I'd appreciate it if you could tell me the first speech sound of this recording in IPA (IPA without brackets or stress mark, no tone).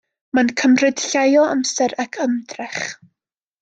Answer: m